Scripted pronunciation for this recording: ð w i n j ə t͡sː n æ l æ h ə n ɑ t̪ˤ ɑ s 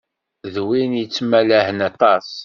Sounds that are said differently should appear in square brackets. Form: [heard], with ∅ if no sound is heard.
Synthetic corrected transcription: ð w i n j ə t͡sː [m] æ l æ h ə n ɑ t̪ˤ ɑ s